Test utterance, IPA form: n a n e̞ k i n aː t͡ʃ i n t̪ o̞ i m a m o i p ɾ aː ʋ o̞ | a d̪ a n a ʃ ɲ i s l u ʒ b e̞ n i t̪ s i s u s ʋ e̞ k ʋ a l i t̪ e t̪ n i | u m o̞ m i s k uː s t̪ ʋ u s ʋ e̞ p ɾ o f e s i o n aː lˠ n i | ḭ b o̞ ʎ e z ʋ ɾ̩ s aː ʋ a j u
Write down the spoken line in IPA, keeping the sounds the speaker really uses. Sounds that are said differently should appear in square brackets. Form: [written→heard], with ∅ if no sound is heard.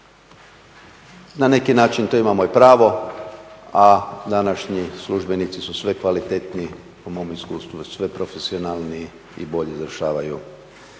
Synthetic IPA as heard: n a n e̞ k i n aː t͡ʃ i n t̪ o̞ i m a m o i p ɾ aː ʋ o̞ | a d̪ a n a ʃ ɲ i s l u ʒ b e̞ n i t̪ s i s u s ʋ e̞ k ʋ a l i t̪ e t̪ n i | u m o̞ m i s k uː s t̪ ʋ u s ʋ e̞ p ɾ o f e s i o n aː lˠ n i | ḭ b o̞ ʎ e z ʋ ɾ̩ [s→ʃ] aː ʋ a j u

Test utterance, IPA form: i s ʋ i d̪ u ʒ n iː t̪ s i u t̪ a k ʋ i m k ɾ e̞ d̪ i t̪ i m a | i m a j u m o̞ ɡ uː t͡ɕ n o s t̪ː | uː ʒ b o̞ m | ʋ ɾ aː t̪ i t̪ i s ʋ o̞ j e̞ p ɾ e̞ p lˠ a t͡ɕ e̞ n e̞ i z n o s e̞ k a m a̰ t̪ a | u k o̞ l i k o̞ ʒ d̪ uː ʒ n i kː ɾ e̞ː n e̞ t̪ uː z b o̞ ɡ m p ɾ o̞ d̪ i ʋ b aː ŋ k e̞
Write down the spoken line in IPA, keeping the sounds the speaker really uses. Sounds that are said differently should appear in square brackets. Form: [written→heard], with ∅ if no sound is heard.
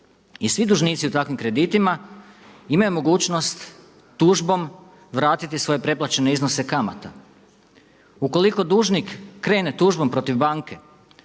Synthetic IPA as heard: i s ʋ i d̪ u ʒ n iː t̪ s i u t̪ a k ʋ i m k ɾ e̞ d̪ i t̪ i m a | i m a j u m o̞ ɡ uː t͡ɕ n o s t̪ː | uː ʒ b o̞ m | ʋ ɾ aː t̪ i t̪ i s ʋ o̞ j e̞ p ɾ e̞ p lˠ a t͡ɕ e̞ n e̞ i z n o s e̞ k a m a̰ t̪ a | u k o̞ l i k o̞ [ʒ→∅] d̪ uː ʒ n i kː ɾ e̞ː n e̞ t̪ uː [z→ʒ] b o̞ [ɡ→∅] m p ɾ o̞ [d̪→t̪] i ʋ b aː ŋ k e̞

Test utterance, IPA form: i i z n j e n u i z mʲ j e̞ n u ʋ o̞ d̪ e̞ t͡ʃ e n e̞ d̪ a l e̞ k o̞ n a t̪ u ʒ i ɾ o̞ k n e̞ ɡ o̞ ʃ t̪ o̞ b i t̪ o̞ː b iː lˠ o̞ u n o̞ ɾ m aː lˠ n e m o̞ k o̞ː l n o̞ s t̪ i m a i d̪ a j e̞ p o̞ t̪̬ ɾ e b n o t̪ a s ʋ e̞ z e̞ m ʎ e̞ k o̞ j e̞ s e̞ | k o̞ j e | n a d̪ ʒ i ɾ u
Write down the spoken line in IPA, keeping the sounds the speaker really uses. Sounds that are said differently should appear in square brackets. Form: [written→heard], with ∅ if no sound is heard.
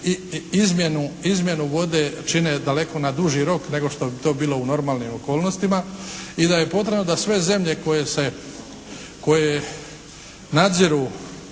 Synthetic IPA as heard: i i z [n→m] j e n u i z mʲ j e̞ n u ʋ o̞ d̪ e̞ t͡ʃ [e→i] n e̞ d̪ a l e̞ k o̞ n a [t̪→d̪] u ʒ i ɾ o̞ k n e̞ ɡ o̞ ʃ t̪ o̞ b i t̪ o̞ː b iː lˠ o̞ u n o̞ ɾ m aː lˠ n [e→i] m o̞ k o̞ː l n o̞ s t̪ i m a i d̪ a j e̞ p o̞ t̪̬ ɾ e b n o [t̪→d̪] a s ʋ e̞ z e̞ m ʎ e̞ k o̞ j e̞ s e̞ | k o̞ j e | n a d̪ [ʒ→z] i ɾ u

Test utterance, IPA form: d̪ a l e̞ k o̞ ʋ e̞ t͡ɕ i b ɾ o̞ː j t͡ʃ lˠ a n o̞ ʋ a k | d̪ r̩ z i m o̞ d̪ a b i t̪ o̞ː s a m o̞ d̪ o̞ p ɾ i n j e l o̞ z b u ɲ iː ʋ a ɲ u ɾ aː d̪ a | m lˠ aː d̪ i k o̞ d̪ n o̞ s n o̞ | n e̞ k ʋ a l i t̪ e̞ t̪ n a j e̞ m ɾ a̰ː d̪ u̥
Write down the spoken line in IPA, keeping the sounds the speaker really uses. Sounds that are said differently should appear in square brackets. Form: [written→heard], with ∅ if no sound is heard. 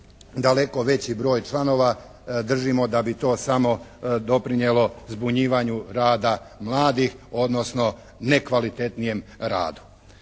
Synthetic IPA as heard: d̪ a l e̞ k o̞ ʋ e̞ t͡ɕ i b ɾ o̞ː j t͡ʃ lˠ a n o̞ ʋ a [k→∅] | d̪ r̩ [z→ʒ] i m o̞ d̪ a b i t̪ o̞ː s a m o̞ d̪ o̞ p ɾ i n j e l o̞ z b u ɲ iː ʋ a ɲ u ɾ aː d̪ a | m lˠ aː d̪ i [k→x] o̞ d̪ n o̞ s n o̞ | n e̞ k ʋ a l i t̪ e̞ t̪ n [a→i] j e̞ m ɾ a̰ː d̪ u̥

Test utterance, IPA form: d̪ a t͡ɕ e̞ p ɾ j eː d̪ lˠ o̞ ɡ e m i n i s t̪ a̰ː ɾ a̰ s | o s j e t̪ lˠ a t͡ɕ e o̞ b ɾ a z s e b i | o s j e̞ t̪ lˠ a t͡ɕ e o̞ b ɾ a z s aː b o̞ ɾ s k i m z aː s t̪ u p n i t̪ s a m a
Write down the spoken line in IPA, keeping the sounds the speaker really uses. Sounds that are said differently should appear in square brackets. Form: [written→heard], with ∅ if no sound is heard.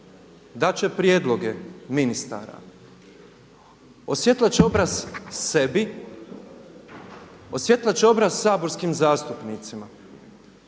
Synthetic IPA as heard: d̪ a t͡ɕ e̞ p ɾ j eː d̪ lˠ o̞ ɡ e m i n i s t̪ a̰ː ɾ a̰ [s→∅] | o s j e t̪ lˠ a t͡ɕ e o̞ b ɾ a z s e b i | o s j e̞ t̪ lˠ a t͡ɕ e o̞ b ɾ a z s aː b o̞ ɾ s k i m z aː s t̪ u p n i t̪ s [a→i] m a

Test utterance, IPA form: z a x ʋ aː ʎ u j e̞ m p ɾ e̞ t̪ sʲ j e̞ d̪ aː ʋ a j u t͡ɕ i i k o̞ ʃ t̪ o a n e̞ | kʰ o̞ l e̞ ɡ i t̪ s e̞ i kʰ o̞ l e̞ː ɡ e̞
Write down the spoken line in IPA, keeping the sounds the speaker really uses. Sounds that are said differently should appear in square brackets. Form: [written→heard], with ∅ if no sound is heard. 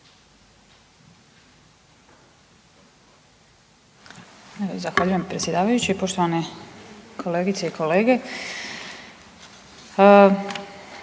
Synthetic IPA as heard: z a x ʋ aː ʎ u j e̞ m p ɾ e̞ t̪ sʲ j e̞ d̪ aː ʋ a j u t͡ɕ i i [k→p] o̞ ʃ t̪ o a n e̞ | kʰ o̞ l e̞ ɡ i t̪ s e̞ i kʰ o̞ l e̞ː ɡ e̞

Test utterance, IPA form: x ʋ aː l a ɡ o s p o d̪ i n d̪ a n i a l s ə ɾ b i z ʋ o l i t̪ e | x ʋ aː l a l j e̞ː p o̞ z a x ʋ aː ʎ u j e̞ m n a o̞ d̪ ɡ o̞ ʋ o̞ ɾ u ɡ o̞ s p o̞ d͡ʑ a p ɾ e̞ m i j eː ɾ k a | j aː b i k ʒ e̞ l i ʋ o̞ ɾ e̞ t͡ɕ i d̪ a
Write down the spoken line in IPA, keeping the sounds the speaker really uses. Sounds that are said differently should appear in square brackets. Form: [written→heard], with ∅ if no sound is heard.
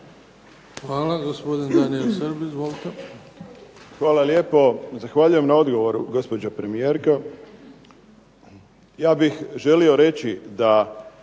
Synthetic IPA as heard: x ʋ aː l a ɡ o s p o d̪ i n d̪ a n i [a→e] l s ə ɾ b i z ʋ o l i t̪ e | x ʋ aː l a l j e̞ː p o̞ z a x ʋ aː ʎ u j e̞ m n a o̞ d̪ ɡ o̞ ʋ o̞ ɾ u ɡ o̞ s p o̞ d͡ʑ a p ɾ e̞ m i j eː ɾ k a | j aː b i [k→x] ʒ e̞ l i [ʋ→∅] o̞ ɾ e̞ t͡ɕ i d̪ a

